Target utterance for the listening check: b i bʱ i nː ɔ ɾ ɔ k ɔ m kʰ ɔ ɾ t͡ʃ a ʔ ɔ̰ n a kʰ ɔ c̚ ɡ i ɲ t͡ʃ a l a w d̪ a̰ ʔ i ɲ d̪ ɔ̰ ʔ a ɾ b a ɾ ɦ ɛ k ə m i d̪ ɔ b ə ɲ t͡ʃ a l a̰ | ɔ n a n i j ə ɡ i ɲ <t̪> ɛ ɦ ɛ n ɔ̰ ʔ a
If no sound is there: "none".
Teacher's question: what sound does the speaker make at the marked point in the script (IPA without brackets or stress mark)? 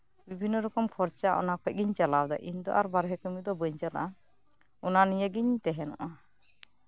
t̪